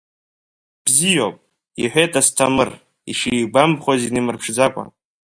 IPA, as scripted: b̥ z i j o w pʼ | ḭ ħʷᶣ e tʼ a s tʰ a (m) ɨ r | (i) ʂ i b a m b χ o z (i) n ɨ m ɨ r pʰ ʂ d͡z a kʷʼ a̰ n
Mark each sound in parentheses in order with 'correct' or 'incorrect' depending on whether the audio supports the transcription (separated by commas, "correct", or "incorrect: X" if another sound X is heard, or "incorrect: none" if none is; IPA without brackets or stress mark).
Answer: correct, correct, correct